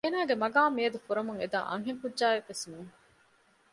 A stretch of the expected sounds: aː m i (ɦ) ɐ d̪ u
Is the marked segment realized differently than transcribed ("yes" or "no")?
yes